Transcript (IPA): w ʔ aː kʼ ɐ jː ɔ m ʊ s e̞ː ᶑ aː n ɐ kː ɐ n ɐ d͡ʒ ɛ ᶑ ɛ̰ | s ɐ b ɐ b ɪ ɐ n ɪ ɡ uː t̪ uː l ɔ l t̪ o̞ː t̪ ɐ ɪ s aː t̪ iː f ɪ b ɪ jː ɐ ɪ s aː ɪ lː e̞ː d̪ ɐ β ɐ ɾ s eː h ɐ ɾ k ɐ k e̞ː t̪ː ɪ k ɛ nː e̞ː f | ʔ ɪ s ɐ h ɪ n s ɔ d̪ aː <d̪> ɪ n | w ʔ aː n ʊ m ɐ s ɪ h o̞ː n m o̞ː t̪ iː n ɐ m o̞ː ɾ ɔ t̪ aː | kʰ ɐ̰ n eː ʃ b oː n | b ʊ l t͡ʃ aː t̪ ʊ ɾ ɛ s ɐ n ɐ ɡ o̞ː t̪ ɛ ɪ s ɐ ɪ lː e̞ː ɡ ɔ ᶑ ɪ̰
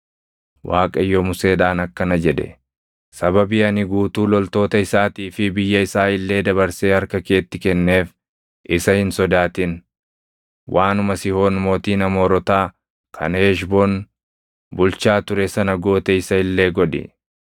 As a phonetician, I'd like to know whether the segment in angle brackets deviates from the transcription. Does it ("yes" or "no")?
yes